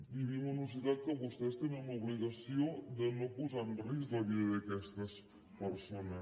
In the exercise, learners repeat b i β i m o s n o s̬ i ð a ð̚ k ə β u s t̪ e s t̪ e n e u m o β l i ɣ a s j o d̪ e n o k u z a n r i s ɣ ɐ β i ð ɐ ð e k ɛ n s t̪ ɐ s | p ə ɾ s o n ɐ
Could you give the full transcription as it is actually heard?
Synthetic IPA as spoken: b i β i m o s n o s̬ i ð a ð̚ k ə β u s t̪ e s t̪ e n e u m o β l i ɣ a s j o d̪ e n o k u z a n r i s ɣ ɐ β i ð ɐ ð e k ɛ s t̪ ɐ s | p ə ɾ s o n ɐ

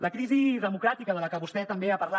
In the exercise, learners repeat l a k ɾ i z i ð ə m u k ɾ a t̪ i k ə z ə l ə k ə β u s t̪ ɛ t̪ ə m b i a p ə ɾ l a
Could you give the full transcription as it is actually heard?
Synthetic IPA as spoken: l ə k ɾ i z i ð ə m u k ɾ a t̪ i k ə ð ə l ə k ə β u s t̪ ɛ t̪ ə m b e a p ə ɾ l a

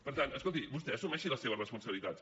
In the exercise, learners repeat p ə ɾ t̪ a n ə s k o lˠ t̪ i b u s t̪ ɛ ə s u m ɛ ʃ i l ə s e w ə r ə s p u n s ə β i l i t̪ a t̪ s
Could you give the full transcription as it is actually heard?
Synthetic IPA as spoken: p ə ɾ t̪ a n ə s k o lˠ t̪ i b u s t̪ ɛ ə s u m ɛ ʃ i l ə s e β ə r ə s p u n s ə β i l i t̪ a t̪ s

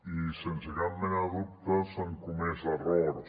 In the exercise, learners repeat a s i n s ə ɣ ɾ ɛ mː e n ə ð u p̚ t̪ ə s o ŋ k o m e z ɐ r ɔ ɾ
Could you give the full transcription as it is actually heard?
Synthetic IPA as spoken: i s e n s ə ɣ ɾ a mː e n a ð u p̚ t̪ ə s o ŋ k u m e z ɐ r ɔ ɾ

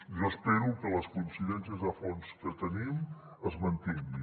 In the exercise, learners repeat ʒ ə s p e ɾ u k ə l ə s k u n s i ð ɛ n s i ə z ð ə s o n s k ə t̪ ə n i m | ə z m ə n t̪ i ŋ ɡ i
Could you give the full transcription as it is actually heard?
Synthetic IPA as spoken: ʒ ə s p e ɾ u k ə l ə s k u n s i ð ɛ n s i ə z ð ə f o n s k ə t̪ ə n i m | ə z m ə n t̪ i ŋ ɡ i

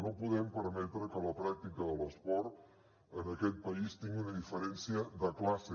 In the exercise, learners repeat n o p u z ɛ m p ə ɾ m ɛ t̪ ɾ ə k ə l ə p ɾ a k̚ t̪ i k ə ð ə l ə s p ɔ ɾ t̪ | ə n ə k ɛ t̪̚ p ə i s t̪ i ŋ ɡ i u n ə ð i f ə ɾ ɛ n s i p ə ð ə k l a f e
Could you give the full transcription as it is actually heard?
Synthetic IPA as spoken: n o p u ð ɛ m p ə ɾ m ɛ t̪ ɾ ə k ə l ə p ɾ a k̚ t̪ i k ə ð ə l ə s p ɔ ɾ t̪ | ə n ə k ɛ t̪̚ p ə i s t̪ i ŋ ɡ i u n ə ð i f ə ɾ ɛ n s i ə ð ə k l a s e

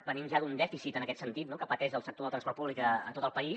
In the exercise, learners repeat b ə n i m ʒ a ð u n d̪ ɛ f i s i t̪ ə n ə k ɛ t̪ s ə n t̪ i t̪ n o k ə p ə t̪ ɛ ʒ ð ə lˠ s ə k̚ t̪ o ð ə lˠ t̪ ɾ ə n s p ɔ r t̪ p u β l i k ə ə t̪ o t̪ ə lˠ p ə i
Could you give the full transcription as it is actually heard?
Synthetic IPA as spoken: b ə n i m ʒ a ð u n d̪ ɛ f i s i t̪ ə n ə k ɛ t̪ s ə n t̪ i t̪ n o k ə p ə t̪ ɛ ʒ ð ə lˠ s ə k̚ t̪ o ð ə t̪ ɾ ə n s p ɔ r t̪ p u β l i k ə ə t̪ o t̪ ə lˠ p ə i

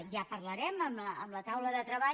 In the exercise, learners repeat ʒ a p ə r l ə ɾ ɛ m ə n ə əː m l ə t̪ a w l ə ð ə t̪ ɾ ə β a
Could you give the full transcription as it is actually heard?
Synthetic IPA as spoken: ʒ a p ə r l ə ɾ ɛ m ə m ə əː m l ə t̪ a w l ə ð ə t̪ ɾ ə β a

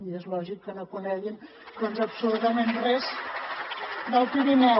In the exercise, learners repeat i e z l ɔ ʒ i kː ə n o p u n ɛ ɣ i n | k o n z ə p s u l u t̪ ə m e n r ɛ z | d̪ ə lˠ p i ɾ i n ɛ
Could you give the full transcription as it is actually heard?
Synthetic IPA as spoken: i e z l ɔ ʒ i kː ə n o k u n ɛ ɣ i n | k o n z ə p s u l u t̪ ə m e n r ɛ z | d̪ ə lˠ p i ɾ i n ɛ

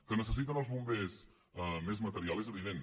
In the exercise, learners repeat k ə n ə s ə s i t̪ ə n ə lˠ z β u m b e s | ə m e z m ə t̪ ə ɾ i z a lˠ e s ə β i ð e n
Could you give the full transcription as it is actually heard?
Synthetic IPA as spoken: k ə n ə s ə s i t̪ ə n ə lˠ z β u m b e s | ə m e z m ə t̪ ə ɾ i a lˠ e z ə β i ð e n

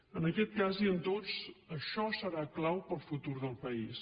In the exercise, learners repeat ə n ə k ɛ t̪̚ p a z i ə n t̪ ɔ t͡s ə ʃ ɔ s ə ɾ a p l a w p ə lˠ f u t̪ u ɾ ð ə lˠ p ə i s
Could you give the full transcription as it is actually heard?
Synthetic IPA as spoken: ə n ə k ɛ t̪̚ k a z i ə n t̪ o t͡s ə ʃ ɔ s ə ɾ a k l a w p ə lˠ f u t̪ u ɾ ð ə lˠ p ə i s

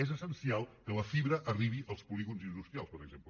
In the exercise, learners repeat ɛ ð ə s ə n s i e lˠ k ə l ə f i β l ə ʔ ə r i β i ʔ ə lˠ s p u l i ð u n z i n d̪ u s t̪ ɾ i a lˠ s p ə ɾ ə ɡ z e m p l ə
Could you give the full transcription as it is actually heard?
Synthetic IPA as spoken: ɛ z ə s ə n s i a lˠ k ə l ə f i β ɾ ə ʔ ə r i β i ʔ ə lˠ s p u l i ɣ u n z i n d̪ u s t̪ ɾ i a lˠ s p ə ɾ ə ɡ z e m p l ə

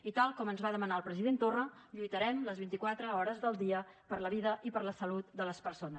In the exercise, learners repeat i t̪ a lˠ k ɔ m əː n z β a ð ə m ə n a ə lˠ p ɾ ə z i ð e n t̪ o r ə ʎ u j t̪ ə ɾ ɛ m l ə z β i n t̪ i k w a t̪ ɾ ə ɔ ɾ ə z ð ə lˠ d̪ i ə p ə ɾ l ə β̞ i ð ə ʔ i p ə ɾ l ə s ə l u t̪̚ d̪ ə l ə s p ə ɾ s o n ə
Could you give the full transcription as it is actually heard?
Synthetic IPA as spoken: i t̪ a lˠ k ɔ m ə n z β a ð ə m ə n a ə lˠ p ɾ ə z i ð e n t̪ o r ə ʎ u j t̪ ə ɾ ɛ m l ə z β i n t̪ i k w a t̪ ɾ ə ɔ ɾ ə z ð ə lˠ d̪ i ə p ə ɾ l ə β̞ i ð ə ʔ i p ə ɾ l ə s ə l u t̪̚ d̪ ə l ə s p ə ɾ s o n ə

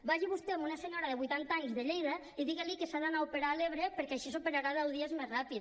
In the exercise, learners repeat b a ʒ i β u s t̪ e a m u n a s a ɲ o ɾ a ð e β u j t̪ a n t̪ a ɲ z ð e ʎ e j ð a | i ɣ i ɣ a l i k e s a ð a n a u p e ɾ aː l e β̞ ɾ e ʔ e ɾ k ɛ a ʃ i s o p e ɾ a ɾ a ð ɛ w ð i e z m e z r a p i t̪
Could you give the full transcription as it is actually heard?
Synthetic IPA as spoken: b a ʒ i β u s t̪ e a m u n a s e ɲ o ɾ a ð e β u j t̪ a n t̪ a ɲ z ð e ʎ e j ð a | i ð i ɣ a l i k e s a ð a n a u p e ɾ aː l e β̞ ɾ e p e ɾ k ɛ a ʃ i s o p e ɾ a ɾ a ð ɛ w ð i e z m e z r a p i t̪

